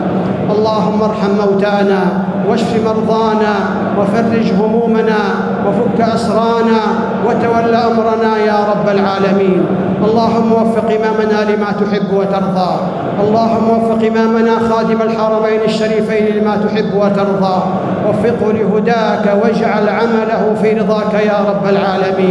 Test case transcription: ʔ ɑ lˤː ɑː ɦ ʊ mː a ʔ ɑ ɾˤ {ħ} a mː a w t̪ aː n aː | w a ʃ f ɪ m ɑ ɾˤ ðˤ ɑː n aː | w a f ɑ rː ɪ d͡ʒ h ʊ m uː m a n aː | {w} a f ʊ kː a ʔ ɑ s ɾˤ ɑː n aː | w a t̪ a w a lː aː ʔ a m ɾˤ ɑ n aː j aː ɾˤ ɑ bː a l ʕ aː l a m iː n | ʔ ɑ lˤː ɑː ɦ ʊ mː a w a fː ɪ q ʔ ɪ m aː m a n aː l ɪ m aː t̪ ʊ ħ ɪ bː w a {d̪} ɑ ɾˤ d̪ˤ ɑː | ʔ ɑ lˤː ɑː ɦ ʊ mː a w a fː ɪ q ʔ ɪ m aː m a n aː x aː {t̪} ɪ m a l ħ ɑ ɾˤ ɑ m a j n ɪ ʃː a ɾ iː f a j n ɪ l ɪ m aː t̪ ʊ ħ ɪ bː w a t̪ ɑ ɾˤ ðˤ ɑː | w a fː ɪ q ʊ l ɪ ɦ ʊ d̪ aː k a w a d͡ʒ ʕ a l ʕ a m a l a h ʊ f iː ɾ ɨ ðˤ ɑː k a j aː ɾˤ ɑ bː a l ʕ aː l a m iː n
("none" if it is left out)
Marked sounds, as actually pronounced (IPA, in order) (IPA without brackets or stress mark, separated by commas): ħ, w, t̪, d̪